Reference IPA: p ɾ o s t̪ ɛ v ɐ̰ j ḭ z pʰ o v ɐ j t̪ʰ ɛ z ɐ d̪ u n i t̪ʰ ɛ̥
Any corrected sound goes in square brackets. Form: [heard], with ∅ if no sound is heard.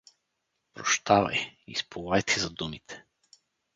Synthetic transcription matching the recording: p ɾ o [ʃ] t̪ [a] v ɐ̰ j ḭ [s] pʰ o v [a] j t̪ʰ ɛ z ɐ d̪ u [m] i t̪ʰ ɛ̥